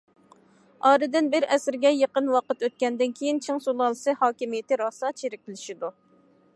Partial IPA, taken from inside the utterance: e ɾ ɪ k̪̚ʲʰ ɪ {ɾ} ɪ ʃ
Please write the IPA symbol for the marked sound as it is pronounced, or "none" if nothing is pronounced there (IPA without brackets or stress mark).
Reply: l